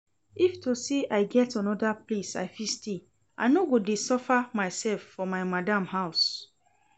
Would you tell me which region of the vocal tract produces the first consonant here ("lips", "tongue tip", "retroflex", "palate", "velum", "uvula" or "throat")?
lips